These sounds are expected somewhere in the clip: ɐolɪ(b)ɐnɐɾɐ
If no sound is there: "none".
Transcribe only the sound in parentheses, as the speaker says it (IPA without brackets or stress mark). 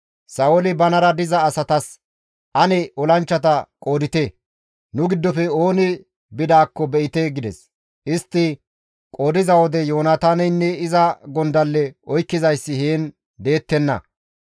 b